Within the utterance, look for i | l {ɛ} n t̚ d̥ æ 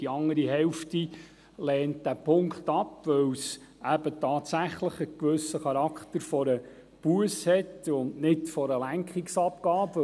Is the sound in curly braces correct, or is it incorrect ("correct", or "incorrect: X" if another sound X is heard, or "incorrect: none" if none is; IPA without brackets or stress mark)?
incorrect: ɛː